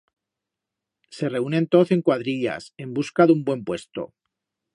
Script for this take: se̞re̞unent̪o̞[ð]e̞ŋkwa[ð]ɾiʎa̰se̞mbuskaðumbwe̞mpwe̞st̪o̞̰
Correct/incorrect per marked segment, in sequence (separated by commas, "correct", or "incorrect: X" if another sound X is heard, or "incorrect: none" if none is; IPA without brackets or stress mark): incorrect: θ, correct